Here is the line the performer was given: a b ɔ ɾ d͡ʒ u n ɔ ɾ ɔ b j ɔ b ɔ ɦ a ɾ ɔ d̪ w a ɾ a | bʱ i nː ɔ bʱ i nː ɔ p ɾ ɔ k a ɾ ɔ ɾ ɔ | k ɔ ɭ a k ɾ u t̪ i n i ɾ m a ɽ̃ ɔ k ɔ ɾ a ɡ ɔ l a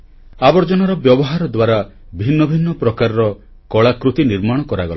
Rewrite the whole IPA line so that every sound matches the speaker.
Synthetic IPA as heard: a b ɔ ɾ d͡ʒ ɔ n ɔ ɾ ɔ b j ɔ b ɔ ɦ a ɾ ɔ d̪ w a ɾ a | bʱ i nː ɔ bʱ i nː ɔ p ɾ ɔ k a ɾ ɔ ɾ ɔ | k ɔ ɭ a k ɾ u t̪ i n i ɾ m a ɽ̃ ɔ k ɔ ɾ a ɡ ɔ l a